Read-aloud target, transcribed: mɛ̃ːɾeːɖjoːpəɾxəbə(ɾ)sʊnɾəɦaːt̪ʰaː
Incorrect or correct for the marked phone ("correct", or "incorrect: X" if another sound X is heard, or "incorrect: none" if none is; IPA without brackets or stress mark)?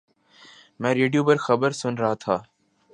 correct